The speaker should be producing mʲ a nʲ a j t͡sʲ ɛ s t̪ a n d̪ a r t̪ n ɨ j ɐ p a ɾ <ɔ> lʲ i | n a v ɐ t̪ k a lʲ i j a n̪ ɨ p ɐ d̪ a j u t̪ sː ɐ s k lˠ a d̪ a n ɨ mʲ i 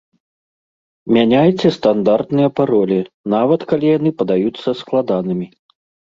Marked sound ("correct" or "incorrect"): correct